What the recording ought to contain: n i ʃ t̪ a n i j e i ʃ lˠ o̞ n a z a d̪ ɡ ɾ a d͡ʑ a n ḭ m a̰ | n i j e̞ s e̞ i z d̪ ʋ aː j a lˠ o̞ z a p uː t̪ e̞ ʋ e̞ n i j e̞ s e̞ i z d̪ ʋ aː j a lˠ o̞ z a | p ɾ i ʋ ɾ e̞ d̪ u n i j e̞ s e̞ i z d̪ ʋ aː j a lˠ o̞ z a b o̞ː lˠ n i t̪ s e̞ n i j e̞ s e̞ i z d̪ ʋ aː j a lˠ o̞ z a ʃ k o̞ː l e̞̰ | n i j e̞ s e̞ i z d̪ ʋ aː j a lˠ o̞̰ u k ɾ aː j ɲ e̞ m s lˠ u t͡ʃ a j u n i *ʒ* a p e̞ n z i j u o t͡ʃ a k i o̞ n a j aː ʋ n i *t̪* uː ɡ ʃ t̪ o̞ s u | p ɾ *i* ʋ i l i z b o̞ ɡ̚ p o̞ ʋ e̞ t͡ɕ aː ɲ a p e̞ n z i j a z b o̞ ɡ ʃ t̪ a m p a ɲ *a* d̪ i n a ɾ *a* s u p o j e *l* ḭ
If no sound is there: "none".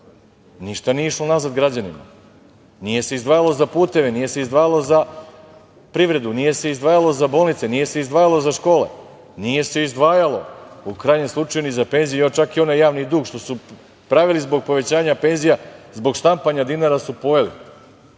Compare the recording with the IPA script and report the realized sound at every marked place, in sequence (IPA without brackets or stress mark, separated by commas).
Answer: z, d̪, a, a, a, l